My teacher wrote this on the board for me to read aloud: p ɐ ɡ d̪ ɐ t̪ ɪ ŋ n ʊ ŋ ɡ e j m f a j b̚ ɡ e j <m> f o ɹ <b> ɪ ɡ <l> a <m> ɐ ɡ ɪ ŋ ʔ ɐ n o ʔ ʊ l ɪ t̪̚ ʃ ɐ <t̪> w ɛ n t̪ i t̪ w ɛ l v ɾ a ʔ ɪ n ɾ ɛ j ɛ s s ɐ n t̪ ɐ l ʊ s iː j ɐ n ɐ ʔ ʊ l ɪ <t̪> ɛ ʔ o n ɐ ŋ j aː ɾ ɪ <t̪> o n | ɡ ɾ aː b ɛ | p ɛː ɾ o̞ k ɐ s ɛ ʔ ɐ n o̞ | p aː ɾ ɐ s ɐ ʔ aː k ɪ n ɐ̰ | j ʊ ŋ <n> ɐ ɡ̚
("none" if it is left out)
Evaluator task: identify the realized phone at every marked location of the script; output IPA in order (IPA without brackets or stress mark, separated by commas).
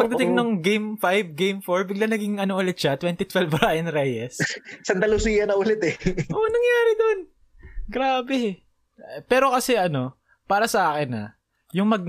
m, b, l, n, t̪, t̪, d̪, m